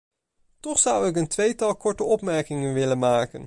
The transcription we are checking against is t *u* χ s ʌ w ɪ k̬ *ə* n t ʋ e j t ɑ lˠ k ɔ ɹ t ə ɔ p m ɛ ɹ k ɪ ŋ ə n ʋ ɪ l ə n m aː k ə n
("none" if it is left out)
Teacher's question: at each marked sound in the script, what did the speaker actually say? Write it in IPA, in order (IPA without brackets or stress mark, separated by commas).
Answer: ɔ, ə